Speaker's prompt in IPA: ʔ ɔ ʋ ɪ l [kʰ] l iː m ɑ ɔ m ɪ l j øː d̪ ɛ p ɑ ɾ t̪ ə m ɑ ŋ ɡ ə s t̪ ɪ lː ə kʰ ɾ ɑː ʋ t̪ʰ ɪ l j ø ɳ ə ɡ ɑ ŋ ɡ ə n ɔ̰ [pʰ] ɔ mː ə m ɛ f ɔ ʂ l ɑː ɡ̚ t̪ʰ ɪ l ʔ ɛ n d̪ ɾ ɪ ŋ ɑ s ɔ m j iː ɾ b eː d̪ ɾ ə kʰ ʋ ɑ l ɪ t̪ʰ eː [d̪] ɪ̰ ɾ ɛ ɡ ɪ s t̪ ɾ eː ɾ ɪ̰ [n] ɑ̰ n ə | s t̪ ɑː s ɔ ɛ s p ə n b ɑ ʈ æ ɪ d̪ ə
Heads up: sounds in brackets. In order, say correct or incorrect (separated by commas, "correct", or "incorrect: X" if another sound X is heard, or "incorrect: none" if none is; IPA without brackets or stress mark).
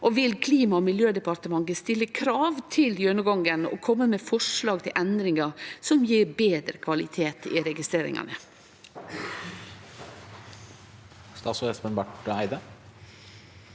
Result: correct, incorrect: kʰ, incorrect: t̪, incorrect: ŋ